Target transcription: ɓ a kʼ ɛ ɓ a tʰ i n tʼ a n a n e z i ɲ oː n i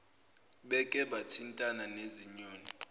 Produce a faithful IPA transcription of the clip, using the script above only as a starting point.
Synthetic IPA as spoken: ɓ ɛ kʼ ɛ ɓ a tʰ i n tʼ a n a n e z i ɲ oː n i